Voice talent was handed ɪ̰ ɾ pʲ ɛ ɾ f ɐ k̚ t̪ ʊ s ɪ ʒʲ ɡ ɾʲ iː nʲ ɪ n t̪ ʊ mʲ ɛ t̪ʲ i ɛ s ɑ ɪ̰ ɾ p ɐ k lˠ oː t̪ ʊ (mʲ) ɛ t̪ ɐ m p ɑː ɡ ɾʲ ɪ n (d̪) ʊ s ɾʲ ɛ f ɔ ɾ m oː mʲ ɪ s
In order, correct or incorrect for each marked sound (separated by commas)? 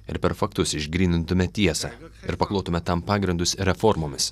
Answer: correct, correct